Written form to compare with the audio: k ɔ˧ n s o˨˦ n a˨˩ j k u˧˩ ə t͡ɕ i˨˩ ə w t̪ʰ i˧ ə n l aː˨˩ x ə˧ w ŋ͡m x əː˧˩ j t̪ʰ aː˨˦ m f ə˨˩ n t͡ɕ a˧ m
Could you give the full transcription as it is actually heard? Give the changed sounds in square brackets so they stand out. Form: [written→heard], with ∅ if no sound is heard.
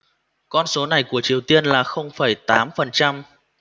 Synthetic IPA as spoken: k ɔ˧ n s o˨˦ n a˨˩ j k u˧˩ ə t͡ɕ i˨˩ ə w [t̪ʰ→t̪] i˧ ə n l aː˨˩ x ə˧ w ŋ͡m [x→f] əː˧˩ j [t̪ʰ→t̪] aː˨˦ m f ə˨˩ n t͡ɕ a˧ m